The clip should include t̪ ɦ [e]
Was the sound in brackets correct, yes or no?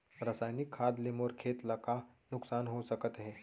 yes